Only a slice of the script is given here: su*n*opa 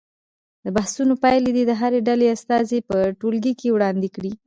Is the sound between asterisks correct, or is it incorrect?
correct